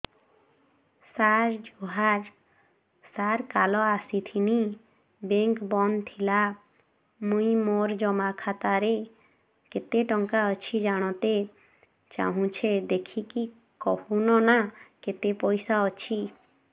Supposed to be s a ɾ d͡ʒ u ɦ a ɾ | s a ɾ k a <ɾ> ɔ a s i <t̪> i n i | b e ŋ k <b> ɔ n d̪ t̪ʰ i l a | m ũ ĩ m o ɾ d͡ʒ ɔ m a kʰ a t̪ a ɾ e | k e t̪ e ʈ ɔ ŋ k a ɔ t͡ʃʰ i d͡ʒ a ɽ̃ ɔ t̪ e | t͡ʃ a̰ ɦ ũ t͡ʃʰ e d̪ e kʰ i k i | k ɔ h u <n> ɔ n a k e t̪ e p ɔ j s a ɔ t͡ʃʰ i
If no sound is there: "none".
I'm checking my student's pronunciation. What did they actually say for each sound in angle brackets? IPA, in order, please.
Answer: l, t̪ʰ, b, n

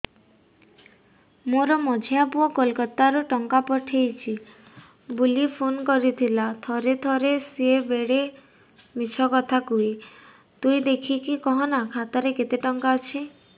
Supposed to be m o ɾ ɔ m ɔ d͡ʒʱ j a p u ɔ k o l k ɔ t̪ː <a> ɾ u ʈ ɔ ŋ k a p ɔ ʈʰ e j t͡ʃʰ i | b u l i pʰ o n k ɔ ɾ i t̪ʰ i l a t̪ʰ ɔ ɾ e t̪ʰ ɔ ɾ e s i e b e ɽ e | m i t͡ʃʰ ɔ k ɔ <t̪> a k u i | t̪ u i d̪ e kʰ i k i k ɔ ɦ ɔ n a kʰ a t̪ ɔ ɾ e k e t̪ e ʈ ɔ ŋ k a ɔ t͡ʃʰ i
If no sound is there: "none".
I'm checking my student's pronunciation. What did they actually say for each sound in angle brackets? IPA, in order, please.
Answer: a, t̪ʰ

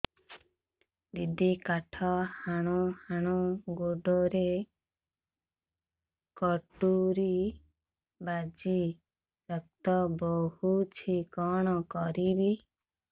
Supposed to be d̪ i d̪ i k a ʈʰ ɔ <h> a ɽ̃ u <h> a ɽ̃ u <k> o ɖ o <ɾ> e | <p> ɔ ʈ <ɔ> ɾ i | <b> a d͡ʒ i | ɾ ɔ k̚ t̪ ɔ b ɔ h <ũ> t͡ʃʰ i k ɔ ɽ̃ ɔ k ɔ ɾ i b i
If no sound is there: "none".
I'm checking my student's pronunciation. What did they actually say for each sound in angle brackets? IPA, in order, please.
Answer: h, h, ɡ, ɾ, k, u, b, u

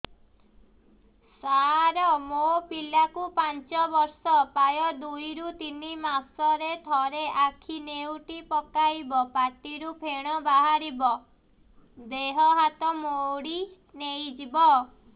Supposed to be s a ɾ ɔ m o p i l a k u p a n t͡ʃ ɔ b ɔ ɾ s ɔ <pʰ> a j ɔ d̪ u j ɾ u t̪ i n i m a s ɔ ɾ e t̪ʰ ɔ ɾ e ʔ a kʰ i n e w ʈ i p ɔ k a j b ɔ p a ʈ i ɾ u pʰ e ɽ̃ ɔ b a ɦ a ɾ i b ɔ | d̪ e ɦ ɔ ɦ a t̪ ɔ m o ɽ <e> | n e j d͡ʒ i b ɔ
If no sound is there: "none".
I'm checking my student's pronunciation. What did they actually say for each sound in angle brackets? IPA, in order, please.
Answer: p, i

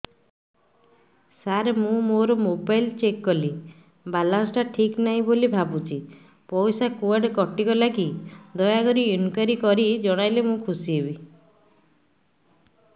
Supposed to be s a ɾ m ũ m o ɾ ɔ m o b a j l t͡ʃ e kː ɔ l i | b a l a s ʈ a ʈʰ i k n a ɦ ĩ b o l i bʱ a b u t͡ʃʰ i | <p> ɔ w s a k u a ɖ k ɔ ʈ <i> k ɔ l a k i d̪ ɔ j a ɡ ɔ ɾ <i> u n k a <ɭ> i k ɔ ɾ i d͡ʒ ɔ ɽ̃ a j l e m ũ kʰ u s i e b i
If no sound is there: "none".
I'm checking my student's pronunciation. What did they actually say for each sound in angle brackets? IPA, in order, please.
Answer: p, i, i, ɾ

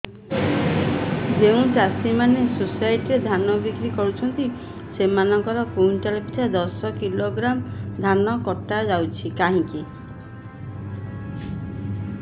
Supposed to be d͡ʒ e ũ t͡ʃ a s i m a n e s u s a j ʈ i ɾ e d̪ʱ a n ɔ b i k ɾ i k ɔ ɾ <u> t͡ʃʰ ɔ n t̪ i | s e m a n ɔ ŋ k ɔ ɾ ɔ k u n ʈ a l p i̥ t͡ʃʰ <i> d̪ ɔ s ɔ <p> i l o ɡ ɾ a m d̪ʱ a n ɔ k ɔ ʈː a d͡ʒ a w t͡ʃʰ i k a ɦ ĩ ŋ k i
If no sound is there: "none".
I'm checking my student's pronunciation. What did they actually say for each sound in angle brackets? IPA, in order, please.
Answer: u, a, k

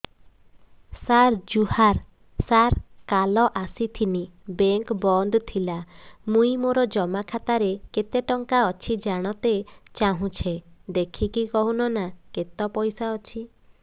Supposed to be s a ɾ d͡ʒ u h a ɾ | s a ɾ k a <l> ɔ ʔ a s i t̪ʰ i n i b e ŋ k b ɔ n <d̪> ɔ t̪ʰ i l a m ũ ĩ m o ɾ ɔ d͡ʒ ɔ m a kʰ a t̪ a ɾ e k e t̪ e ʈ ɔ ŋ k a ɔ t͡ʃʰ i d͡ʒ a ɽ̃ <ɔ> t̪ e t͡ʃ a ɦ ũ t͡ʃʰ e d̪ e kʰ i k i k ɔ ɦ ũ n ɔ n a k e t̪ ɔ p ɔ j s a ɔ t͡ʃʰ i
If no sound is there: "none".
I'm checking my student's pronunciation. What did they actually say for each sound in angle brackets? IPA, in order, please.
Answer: l, d̪, ɔ

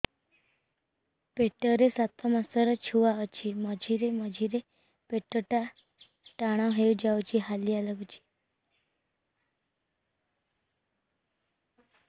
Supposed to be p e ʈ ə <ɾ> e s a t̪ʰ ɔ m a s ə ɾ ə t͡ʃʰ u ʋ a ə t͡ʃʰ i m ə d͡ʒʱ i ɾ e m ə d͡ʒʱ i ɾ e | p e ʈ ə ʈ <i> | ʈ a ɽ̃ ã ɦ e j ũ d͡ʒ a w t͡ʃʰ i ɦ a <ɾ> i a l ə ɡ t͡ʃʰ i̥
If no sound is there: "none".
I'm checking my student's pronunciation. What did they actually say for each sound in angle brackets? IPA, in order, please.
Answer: ɾ, a, l

